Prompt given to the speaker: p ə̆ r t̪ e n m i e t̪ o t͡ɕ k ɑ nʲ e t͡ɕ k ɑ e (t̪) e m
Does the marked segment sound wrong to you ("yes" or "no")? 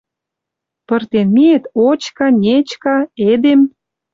yes